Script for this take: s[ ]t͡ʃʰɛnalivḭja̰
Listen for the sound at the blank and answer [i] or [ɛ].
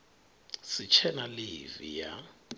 i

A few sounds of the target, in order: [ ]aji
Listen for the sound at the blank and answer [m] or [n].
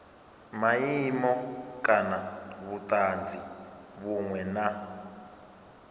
m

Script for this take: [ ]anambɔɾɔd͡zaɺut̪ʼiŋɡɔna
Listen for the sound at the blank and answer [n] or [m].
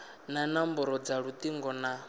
n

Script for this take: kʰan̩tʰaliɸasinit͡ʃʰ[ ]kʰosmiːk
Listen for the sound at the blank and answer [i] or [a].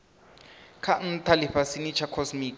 a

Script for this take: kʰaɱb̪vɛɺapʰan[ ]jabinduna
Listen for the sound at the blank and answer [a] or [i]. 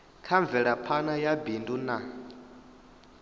a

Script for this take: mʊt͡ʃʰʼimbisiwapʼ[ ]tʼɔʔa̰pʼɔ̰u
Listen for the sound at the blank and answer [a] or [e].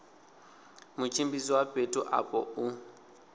e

